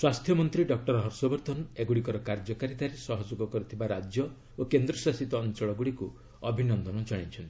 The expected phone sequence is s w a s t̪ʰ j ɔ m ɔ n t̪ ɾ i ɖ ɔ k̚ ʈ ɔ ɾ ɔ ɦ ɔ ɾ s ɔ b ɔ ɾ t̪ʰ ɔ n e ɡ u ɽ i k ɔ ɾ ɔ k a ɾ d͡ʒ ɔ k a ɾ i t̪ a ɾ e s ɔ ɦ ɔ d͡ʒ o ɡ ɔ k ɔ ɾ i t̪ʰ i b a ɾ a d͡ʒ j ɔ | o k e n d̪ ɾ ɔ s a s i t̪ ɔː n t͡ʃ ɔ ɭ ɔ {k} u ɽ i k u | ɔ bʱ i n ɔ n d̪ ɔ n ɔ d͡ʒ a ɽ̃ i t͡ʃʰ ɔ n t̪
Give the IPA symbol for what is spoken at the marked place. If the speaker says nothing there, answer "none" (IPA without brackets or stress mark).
ɡ